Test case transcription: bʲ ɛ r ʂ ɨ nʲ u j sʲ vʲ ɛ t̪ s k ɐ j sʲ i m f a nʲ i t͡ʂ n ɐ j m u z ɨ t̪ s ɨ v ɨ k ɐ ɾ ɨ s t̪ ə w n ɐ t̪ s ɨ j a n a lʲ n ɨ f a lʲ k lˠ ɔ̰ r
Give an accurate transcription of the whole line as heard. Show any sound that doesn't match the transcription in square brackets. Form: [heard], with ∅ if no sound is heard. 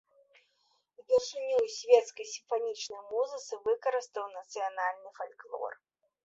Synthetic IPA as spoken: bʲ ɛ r ʂ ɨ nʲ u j sʲ vʲ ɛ t̪ s k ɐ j sʲ i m f a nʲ i t͡ʂ n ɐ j m u z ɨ t̪ s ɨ v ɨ k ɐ ɾ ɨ s t̪ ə w n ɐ t̪ s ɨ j a n a lʲ n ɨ f a lʲ k lˠ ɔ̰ r

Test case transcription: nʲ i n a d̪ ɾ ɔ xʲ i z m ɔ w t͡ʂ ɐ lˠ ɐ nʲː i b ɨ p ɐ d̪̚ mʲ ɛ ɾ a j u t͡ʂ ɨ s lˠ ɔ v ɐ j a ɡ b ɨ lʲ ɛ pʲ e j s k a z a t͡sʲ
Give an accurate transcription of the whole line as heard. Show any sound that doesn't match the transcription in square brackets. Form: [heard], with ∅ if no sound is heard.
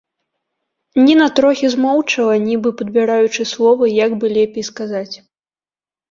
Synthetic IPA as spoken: nʲ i n a [t̪] ɾ ɔ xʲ i z m ɔ w t͡ʂ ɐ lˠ ɐ [nʲ] i b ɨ p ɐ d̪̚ [bʲ] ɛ ɾ a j u t͡ʂ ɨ s lˠ ɔ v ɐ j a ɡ b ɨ lʲ ɛ pʲ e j s k a z a t͡sʲ

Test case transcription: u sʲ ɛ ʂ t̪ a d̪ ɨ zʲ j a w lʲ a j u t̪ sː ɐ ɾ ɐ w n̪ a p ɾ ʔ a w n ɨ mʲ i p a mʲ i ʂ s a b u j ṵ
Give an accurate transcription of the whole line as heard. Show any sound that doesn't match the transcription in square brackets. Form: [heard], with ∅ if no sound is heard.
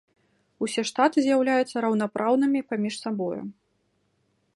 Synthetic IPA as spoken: u sʲ ɛ ʂ t̪ a [t̪] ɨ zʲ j a w lʲ a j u t̪ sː ɐ ɾ ɐ w n̪ a p ɾ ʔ a w n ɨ mʲ i p a mʲ i ʂ s a b [ɔ] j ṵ

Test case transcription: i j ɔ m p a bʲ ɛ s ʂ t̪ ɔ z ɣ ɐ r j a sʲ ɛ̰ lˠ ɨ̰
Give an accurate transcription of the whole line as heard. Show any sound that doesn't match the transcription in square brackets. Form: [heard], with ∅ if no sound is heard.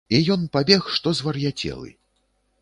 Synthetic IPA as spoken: i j ɔ [n] p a bʲ ɛ [x] ʂ t̪ ɔ z [v] ɐ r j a [t͡sʲ] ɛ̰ lˠ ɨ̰

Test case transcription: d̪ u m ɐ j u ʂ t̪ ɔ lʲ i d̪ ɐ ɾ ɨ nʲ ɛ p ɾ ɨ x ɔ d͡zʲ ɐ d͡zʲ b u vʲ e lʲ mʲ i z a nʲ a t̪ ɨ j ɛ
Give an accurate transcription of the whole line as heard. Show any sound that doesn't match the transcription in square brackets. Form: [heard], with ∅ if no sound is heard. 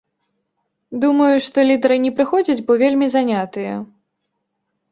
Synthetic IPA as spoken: d̪ u m ɐ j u ʂ t̪ ɔ lʲ i d̪ ɐ ɾ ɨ nʲ ɛ p ɾ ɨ x ɔ d͡zʲ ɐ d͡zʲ b [ɔ] vʲ e lʲ mʲ i z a nʲ a t̪ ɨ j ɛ

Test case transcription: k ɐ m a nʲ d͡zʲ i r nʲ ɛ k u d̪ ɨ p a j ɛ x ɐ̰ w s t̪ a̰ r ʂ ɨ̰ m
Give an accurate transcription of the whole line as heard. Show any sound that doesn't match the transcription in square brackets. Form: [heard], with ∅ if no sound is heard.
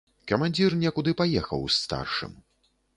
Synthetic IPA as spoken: k ɐ m a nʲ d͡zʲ i r nʲ ɛ k u d̪ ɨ p a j ɛ x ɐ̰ w s t̪ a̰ r ʂ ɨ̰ m

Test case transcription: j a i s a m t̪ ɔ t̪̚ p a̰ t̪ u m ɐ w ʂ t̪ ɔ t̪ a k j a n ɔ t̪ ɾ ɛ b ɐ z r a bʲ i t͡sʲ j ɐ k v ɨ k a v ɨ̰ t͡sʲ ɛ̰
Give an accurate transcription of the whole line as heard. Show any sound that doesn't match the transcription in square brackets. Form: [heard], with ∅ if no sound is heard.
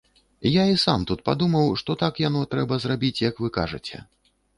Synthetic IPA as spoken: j a i s a m t̪ [u] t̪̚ p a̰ [d̪] u m ɐ w ʂ t̪ ɔ t̪ a k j a n ɔ t̪ ɾ ɛ b ɐ z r a bʲ i t͡sʲ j ɐ k v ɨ k a [ʐ] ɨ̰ t͡sʲ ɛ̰

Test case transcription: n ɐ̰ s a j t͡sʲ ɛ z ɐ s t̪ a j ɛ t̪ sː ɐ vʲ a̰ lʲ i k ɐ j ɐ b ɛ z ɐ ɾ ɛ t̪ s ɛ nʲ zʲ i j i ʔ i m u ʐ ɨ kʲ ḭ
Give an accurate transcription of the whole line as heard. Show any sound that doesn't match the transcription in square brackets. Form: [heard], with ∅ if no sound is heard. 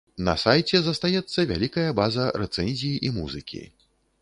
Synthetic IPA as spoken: n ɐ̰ s a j t͡sʲ ɛ z ɐ s t̪ a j ɛ t̪ sː ɐ vʲ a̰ lʲ i k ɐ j ɐ b [a] z ɐ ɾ ɛ t̪ s ɛ nʲ zʲ i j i ʔ i m u [z] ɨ kʲ ḭ

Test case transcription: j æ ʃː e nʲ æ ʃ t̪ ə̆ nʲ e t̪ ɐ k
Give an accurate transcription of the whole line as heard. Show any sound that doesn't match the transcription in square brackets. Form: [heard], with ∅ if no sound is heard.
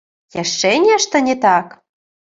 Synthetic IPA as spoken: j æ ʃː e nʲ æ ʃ t̪ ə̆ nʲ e t̪ [ɑ] k

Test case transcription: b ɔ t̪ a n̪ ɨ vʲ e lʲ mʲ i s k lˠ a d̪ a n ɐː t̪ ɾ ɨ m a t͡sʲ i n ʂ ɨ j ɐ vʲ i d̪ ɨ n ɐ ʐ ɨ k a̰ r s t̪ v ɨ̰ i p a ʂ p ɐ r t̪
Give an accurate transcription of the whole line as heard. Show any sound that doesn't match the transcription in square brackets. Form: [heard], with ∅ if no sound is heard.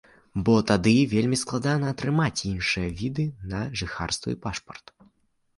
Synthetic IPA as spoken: b ɔ t̪ a [d̪] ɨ vʲ e lʲ mʲ i s k lˠ a d̪ a n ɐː t̪ ɾ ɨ m a t͡sʲ i n ʂ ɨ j ɐ vʲ i d̪ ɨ n ɐ ʐ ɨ [x] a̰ r s t̪ v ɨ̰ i p a ʂ p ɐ r t̪

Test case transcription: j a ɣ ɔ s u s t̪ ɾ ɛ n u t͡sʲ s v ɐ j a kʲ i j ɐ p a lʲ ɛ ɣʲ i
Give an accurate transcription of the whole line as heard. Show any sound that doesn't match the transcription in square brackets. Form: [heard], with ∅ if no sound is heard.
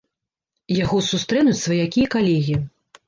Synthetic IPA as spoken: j a ɣ ɔ s u s t̪ ɾ ɛ n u t͡sʲ s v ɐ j a kʲ i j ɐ [k] a lʲ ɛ ɣʲ i

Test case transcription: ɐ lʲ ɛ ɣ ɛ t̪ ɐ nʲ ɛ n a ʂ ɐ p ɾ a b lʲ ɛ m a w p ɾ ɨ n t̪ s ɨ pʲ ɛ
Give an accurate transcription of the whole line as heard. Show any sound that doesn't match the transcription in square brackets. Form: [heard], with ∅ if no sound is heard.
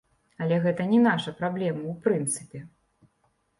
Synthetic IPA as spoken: ɐ lʲ ɛ ɣ ɛ t̪ ɐ nʲ ɛ n a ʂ ɐ p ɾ a b lʲ ɛ m [ɐ] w p ɾ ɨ n t̪ s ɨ pʲ ɛ

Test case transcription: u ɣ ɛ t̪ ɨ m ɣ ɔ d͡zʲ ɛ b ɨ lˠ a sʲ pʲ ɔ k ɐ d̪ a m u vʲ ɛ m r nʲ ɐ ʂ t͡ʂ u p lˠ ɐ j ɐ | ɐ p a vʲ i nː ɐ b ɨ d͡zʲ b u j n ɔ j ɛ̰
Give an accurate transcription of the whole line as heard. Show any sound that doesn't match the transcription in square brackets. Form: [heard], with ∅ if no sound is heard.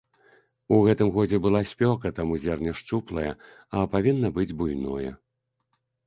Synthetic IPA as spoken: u ɣ ɛ t̪ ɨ m ɣ ɔ d͡zʲ ɛ b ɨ lˠ a sʲ pʲ ɔ k ɐ [t̪] a m u [zʲ] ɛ [∅] r nʲ ɐ ʂ t͡ʂ u p lˠ ɐ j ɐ | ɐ p a vʲ i nː ɐ b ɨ d͡zʲ b u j n ɔ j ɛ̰

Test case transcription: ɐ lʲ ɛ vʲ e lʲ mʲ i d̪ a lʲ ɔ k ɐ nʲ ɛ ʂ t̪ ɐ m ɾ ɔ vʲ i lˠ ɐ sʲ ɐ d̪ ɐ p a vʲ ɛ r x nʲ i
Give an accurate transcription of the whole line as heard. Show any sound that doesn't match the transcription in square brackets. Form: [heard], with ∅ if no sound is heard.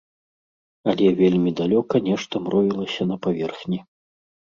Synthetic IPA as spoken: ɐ lʲ ɛ vʲ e lʲ mʲ i d̪ a lʲ ɔ k ɐ nʲ ɛ ʂ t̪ ɐ m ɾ ɔ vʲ i lˠ ɐ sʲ ɐ [n̪] ɐ p a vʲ ɛ r x nʲ i

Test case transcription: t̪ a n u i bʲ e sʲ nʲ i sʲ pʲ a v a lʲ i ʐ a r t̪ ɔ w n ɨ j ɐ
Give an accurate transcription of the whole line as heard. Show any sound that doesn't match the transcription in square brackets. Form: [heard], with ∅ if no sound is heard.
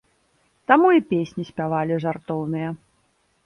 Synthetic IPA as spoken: t̪ a [m] u i [pʲ] e sʲ nʲ i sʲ pʲ a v a lʲ i ʐ a r t̪ ɔ w n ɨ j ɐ

